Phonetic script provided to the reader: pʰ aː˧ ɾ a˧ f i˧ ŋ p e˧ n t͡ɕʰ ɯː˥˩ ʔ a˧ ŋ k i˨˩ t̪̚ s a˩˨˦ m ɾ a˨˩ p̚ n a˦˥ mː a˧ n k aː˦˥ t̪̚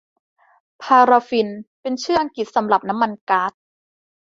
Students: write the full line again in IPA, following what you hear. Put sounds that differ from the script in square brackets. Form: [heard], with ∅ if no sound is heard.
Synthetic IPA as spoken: pʰ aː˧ ɾ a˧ f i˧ [n] p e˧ n t͡ɕʰ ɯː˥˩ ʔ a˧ ŋ k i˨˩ t̪̚ s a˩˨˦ m ɾ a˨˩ p̚ n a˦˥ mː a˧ n k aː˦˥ t̪̚